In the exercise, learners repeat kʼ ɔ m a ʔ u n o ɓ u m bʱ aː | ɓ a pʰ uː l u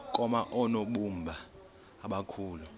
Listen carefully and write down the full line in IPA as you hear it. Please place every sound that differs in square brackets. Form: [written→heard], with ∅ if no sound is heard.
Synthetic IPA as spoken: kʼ ɔ m a ʔ [u→ɔ] n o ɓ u m bʱ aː | ɓ a [pʰ→kʰ] uː l u